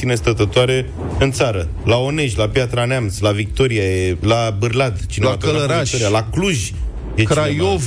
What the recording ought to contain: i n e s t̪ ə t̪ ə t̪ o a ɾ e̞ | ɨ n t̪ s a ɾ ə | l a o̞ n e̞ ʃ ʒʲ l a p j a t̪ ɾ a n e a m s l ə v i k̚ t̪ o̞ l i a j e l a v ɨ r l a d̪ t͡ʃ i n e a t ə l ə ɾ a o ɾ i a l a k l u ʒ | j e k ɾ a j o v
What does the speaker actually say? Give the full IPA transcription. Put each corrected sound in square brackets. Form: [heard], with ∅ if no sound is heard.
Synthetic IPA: i n e s t̪ ə t̪ ə t̪ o a ɾ e̞ | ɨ n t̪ s a ɾ ə | l a o̞ n e̞ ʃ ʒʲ l a p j a t̪ ɾ a n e a m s l [a] v i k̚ t̪ o̞ [ɾ] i a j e l a [b] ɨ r l a d̪ t͡ʃ i n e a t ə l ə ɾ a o ɾ i a l a k l u ʒ | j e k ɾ a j o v